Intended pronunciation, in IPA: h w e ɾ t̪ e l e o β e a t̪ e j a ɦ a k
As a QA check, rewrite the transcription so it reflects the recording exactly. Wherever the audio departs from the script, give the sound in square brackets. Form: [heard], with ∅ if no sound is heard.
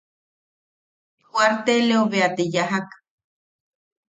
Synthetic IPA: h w [a] ɾ t̪ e l e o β e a t̪ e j a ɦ a k